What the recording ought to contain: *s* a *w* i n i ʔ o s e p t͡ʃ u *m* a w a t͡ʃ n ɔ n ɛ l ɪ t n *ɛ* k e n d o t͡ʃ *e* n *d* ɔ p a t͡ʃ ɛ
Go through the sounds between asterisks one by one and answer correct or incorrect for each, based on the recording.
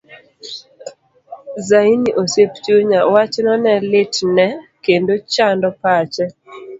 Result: incorrect, incorrect, incorrect, correct, incorrect, correct

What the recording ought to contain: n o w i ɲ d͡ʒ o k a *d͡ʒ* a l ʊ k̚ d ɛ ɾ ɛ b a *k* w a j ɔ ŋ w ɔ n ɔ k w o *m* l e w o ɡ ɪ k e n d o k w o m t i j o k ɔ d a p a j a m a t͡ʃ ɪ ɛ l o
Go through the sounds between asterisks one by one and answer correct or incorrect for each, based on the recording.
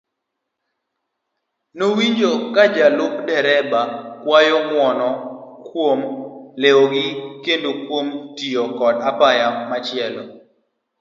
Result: correct, correct, correct

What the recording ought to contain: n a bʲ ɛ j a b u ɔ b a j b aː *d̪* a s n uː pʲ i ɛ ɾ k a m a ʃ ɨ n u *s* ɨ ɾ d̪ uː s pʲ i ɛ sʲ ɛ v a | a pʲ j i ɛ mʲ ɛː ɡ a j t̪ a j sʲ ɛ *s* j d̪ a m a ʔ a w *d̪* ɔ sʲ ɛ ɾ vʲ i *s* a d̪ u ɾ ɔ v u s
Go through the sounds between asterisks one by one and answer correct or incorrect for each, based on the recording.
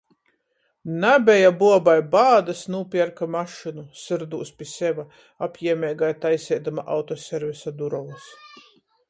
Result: correct, correct, incorrect, incorrect, correct

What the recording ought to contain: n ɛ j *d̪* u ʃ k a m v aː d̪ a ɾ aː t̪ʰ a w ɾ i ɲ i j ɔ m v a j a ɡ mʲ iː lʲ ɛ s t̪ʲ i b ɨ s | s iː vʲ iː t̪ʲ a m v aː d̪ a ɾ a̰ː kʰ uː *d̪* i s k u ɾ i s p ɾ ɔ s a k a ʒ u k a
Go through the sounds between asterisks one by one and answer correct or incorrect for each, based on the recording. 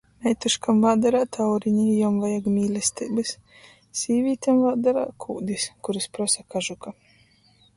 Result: incorrect, correct

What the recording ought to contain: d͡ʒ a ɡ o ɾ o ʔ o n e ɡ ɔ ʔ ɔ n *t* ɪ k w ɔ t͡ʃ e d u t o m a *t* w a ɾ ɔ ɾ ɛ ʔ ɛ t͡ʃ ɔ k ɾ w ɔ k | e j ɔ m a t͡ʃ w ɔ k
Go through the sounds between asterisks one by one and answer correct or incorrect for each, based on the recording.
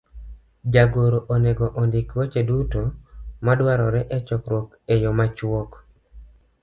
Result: incorrect, incorrect

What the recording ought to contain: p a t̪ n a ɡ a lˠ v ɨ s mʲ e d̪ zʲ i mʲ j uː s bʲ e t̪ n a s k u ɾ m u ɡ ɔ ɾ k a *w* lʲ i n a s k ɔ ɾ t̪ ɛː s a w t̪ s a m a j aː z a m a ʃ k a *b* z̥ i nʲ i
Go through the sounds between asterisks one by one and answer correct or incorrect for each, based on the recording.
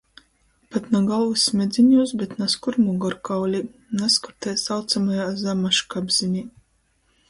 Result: correct, correct

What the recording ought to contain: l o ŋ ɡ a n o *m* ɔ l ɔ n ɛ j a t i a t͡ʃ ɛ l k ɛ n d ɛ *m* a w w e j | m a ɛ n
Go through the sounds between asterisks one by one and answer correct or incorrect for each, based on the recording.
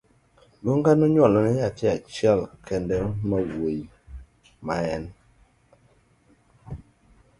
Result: incorrect, correct

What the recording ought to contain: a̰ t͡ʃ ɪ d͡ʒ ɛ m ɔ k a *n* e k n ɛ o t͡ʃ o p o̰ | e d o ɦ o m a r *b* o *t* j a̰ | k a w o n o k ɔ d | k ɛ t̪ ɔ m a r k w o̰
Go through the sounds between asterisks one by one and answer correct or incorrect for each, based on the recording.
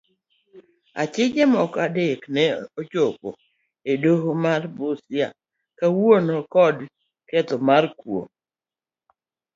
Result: incorrect, correct, incorrect

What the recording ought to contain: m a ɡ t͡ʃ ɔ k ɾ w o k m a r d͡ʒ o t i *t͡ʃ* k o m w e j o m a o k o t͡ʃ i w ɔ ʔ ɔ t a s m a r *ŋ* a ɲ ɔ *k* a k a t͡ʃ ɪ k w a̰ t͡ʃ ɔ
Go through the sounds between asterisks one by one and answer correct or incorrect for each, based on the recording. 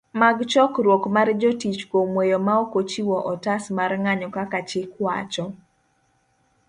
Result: correct, correct, correct

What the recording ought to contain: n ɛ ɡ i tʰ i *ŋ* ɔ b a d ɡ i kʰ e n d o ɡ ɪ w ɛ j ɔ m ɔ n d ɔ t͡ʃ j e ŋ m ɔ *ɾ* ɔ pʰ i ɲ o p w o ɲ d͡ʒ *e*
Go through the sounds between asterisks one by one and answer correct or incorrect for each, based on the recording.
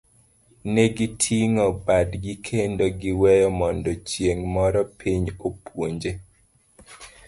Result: correct, correct, correct

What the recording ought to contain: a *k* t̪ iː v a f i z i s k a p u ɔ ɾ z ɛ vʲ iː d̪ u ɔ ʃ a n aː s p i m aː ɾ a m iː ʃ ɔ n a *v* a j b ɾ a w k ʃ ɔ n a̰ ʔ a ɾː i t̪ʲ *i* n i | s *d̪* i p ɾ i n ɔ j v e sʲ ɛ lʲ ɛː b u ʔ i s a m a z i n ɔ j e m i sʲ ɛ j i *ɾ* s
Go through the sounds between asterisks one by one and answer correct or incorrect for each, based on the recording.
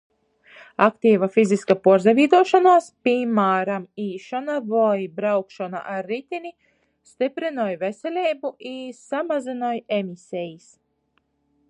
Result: correct, correct, correct, incorrect, incorrect

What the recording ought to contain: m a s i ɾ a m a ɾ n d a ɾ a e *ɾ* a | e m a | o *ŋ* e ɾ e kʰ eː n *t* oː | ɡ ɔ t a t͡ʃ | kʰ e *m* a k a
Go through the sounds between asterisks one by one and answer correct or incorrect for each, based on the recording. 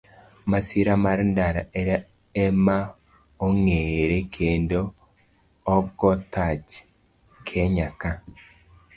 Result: correct, correct, incorrect, incorrect

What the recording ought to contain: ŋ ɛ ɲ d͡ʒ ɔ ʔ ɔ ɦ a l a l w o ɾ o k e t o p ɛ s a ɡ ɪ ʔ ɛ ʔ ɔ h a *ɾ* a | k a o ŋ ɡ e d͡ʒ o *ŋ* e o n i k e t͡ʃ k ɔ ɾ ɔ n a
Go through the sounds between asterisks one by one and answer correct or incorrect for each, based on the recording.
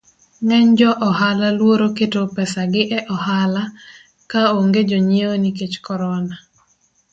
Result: incorrect, incorrect

